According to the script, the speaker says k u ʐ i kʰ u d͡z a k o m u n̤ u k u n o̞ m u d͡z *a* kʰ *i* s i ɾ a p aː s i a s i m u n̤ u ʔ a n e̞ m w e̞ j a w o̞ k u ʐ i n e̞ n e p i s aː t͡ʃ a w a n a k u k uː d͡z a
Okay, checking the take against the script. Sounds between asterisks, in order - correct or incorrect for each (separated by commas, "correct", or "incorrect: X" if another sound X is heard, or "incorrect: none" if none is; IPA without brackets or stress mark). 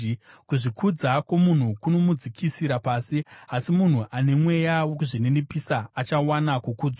incorrect: i, correct